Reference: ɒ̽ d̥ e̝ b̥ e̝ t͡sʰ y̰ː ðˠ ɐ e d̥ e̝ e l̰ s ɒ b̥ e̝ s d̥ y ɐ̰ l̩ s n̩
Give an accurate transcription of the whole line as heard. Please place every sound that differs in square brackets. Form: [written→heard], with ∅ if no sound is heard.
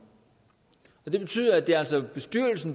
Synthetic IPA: ɒ̽ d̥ e̝ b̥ e̝ t͡sʰ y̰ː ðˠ ɐ [e→æ] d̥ e̝ [e→æ] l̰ s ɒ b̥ e̝ s d̥ y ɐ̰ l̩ s n̩